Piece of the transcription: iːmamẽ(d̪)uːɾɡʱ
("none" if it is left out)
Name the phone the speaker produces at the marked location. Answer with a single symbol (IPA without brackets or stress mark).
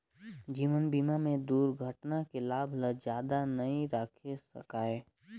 d̪